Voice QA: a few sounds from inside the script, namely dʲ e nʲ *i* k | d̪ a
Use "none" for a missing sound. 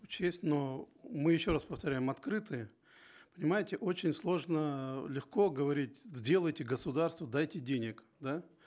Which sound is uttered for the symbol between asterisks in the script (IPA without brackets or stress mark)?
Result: ɪ